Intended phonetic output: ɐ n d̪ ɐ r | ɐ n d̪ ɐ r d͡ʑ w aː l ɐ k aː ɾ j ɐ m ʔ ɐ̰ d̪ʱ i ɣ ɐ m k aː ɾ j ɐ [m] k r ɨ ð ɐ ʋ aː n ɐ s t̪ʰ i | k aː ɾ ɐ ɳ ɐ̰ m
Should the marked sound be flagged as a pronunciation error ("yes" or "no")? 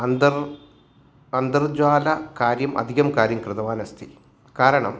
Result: no